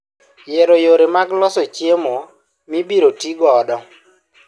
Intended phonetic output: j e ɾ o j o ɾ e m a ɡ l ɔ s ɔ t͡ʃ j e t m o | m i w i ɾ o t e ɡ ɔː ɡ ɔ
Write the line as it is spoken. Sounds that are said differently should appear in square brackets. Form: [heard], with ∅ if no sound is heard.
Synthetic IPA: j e ɾ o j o ɾ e m a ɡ l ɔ s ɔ t͡ʃ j e [∅] m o | m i [b] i ɾ o t [i] ɡ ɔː [d] ɔ